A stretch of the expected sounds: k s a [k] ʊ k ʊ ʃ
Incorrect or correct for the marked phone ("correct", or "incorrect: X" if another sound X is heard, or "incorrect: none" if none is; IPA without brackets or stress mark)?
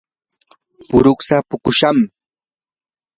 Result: incorrect: p